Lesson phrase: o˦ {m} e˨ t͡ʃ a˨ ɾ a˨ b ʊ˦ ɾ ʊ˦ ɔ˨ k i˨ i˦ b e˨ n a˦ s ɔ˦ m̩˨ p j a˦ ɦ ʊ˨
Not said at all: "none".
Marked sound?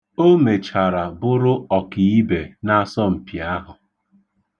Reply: m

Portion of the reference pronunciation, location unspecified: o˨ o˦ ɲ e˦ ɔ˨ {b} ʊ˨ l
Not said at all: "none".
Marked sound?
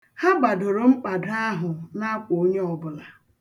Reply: b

